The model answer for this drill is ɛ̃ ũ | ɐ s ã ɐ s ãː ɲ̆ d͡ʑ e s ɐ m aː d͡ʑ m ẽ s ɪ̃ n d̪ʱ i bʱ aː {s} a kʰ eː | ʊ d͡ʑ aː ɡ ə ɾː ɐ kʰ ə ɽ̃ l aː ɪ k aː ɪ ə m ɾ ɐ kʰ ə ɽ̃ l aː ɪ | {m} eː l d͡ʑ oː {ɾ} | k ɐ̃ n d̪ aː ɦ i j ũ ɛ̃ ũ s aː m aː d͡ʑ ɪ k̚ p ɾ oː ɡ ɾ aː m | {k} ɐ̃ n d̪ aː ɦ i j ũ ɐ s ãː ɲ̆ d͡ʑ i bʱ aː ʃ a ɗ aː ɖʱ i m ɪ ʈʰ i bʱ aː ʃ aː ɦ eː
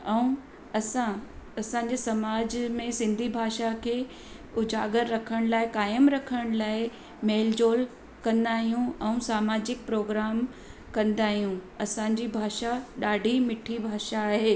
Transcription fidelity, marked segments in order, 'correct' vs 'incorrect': incorrect, correct, incorrect, correct

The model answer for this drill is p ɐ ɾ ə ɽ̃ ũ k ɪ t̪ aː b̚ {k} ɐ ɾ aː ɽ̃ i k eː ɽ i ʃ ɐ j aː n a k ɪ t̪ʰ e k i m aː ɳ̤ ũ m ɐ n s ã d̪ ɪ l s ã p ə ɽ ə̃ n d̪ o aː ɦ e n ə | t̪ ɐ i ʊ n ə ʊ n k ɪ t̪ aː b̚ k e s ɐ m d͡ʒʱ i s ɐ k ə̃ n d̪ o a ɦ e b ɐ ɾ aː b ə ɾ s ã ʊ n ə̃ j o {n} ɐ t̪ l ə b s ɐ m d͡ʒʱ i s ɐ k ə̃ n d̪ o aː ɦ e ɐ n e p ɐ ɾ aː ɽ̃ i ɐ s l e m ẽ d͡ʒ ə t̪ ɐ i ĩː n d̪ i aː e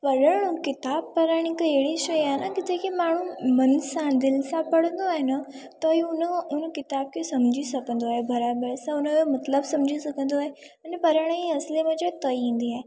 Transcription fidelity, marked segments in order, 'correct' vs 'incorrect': incorrect, incorrect

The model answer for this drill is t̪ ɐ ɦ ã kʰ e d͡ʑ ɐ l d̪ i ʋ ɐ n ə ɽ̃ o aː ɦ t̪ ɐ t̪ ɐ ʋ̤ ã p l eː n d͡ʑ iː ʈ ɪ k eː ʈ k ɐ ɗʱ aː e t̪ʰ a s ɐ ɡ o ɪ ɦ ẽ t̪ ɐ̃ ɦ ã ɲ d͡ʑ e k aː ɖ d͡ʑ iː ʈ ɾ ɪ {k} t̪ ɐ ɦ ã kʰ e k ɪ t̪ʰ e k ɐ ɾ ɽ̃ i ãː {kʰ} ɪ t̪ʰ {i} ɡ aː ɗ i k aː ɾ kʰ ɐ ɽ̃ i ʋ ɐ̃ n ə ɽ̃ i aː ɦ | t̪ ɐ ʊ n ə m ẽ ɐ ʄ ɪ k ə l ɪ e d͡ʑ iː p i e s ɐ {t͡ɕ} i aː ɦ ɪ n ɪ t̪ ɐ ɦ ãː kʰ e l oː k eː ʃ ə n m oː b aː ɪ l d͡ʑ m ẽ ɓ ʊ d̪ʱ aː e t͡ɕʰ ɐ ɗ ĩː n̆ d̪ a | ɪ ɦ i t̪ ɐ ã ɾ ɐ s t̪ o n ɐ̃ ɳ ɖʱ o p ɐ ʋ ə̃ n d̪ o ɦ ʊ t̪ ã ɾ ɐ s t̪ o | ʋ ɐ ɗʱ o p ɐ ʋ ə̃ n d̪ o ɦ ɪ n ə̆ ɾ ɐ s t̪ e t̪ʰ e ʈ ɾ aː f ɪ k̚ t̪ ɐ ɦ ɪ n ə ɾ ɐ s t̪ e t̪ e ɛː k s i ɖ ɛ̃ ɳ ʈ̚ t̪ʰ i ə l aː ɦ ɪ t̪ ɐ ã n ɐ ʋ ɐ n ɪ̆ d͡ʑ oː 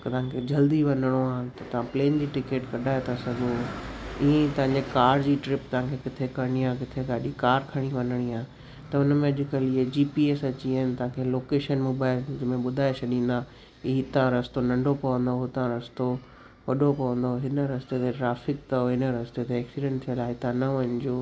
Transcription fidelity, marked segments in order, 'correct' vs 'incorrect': incorrect, incorrect, incorrect, correct

